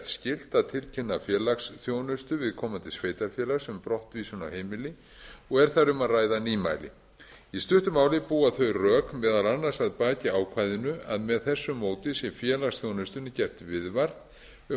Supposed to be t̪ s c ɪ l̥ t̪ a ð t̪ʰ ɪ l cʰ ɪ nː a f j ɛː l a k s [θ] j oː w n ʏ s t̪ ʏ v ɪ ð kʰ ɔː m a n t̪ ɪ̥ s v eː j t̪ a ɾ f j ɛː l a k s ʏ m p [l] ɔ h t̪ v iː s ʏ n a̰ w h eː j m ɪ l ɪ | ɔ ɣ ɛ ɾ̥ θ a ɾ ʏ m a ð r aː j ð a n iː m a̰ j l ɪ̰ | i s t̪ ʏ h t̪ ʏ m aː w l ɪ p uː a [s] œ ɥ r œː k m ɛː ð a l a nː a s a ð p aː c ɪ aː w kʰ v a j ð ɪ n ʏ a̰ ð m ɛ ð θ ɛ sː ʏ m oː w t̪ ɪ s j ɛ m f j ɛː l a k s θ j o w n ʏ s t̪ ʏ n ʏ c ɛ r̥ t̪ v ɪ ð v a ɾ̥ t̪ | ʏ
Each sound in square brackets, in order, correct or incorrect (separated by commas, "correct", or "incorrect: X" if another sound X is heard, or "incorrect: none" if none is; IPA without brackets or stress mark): correct, incorrect: ɾ, incorrect: θ